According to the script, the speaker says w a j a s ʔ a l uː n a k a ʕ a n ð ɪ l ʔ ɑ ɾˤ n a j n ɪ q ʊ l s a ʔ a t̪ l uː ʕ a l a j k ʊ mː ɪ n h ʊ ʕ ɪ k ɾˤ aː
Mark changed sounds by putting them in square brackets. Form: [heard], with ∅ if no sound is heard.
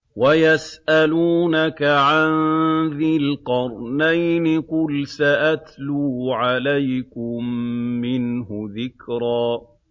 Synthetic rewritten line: w a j a s ʔ a l uː n a k a ʕ a n ð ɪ l [q] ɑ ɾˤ n a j n ɪ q ʊ l s a ʔ a t̪ l uː ʕ a l a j k ʊ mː ɪ n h ʊ [ð] ɪ k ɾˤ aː